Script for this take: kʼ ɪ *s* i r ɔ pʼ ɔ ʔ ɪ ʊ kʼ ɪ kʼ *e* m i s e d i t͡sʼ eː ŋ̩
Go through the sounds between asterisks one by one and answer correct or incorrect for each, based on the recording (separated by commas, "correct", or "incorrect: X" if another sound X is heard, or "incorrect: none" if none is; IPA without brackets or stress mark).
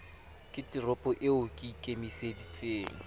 incorrect: t, correct